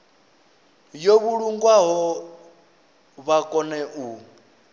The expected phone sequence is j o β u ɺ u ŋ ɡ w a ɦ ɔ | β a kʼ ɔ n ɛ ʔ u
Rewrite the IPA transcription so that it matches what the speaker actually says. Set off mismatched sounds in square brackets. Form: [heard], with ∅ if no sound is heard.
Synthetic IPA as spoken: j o β u ɺ u ŋ ɡ w a ɦ ɔ | β a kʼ ɔ n ɛ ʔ u